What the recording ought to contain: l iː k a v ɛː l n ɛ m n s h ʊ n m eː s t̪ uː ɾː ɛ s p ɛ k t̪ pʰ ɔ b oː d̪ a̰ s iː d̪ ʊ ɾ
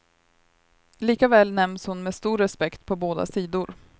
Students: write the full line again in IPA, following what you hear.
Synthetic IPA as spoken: l iː k a v ɛː l n ɛ m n s h ʊ n m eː s t̪ uː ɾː ɛ s p ɛ k t̪ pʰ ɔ b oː d̪ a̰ s iː d̪ ʊ ɾ